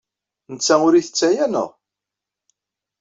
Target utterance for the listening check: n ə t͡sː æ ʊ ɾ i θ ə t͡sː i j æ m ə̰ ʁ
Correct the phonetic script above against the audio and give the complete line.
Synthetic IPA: n ə t͡sː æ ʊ ɾ i θ ə t͡sː æ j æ n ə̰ ʁ